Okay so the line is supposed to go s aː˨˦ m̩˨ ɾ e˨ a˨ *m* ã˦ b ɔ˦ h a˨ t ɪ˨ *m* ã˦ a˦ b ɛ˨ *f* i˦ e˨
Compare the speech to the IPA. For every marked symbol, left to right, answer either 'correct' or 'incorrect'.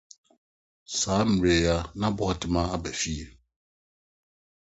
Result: incorrect, correct, correct

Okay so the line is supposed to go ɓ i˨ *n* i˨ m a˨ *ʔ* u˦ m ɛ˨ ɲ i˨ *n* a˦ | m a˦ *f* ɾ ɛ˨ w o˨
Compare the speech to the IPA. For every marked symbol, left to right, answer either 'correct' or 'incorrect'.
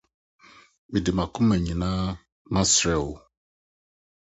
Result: incorrect, incorrect, correct, incorrect

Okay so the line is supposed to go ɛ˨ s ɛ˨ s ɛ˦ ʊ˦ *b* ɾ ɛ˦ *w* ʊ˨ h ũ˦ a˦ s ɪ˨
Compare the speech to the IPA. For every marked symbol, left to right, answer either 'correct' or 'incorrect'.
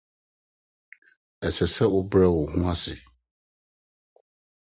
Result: correct, correct

